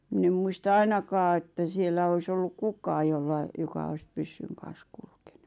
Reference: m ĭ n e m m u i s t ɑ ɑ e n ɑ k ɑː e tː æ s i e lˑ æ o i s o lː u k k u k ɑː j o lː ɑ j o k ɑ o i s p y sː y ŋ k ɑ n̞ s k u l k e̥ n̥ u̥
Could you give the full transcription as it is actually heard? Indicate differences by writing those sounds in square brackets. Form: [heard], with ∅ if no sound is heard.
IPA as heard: m ĭ n e m m u i s t ɑ ɑ [i] n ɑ k ɑː e tː æ s i e lˑ æ o i s o lː u k k u k ɑː j o lː ɑ j o k ɑ o i s p y sː y ŋ k ɑ n̞ s k u l k e̥ n̥ u̥

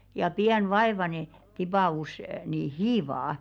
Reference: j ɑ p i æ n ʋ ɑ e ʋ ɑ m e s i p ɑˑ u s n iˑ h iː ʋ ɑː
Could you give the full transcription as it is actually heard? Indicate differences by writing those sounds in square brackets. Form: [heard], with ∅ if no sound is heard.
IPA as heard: j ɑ p i æ n ʋ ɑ e ʋ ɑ [n] e [t] i p ɑˑ u s n iˑ h iː ʋ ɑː

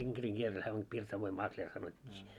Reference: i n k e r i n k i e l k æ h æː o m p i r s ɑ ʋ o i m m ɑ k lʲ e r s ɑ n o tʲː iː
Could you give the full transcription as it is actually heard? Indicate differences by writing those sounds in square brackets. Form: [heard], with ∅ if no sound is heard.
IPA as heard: i [ŋ] k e r i [ŋ] k i e l [t] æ h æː o m p i r s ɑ ʋ o i m m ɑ k lʲ e r s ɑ n o tʲː iː

